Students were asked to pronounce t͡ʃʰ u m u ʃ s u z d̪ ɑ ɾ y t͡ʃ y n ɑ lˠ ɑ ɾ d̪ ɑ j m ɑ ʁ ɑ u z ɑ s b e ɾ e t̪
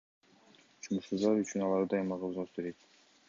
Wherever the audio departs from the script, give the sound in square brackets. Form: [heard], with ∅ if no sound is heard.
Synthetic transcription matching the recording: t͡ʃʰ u m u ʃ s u z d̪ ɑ ɾ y t͡ʃ y n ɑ lˠ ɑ ɾ d̪ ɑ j m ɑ ʁ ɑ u z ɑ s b e ɾ e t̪